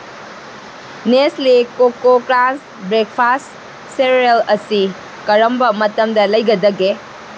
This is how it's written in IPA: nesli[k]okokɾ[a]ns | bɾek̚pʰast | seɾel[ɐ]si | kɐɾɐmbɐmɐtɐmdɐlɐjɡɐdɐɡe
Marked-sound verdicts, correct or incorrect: correct, correct, correct

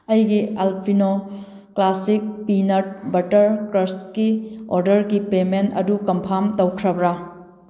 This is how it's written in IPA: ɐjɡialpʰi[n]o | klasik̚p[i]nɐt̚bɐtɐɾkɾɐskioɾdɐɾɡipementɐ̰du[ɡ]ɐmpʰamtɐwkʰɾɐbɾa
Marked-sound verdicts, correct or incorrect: correct, correct, incorrect

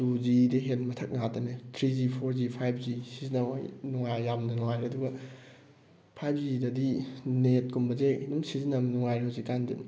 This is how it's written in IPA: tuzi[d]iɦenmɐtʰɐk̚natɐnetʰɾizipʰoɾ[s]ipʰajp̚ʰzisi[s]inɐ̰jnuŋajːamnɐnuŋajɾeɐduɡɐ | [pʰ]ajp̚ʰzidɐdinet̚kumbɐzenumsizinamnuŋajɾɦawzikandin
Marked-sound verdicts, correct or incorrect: correct, incorrect, incorrect, correct

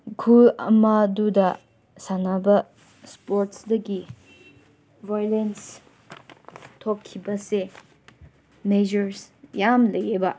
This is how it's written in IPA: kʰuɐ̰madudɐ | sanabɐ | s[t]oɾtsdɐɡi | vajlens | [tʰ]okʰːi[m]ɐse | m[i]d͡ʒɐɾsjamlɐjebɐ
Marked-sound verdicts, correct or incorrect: incorrect, correct, incorrect, incorrect

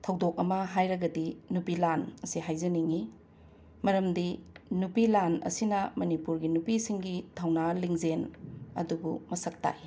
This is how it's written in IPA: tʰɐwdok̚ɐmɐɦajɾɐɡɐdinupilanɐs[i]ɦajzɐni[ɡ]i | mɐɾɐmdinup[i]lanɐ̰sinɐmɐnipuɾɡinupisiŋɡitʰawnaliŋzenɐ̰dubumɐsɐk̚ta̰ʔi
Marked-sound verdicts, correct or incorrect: correct, incorrect, correct

